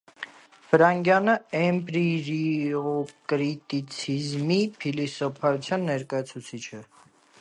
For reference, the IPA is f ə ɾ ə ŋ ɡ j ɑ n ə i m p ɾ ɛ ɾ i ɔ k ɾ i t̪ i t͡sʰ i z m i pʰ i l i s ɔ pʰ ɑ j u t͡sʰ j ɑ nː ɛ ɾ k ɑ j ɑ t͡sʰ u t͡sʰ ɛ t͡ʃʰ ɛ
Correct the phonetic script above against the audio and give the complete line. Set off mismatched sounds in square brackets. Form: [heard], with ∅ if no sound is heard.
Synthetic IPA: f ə ɾ [ɑ] ŋ ɡ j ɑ n ə [ɛ] m p ɾ [i] ɾ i ɔ k ɾ i t̪ i t͡sʰ i z m i pʰ i l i s ɔ pʰ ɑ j u t͡sʰ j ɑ nː ɛ ɾ k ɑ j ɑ t͡sʰ u t͡sʰ [i] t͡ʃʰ ɛ